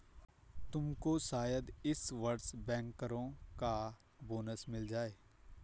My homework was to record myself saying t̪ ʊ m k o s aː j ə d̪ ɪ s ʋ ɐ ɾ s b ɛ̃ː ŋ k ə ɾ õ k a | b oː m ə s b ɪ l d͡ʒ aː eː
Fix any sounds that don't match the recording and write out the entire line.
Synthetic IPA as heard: t̪ ʊ m k o s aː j ə d̪ ɪ s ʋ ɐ ɾ s b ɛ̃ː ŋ k ə ɾ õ k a | b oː n ə s m ɪ l d͡ʒ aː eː